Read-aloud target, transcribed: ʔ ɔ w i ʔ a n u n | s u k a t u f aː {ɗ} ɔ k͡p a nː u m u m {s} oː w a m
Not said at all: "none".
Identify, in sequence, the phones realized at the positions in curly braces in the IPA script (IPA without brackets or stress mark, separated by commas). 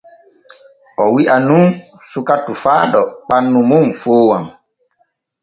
ɗ, f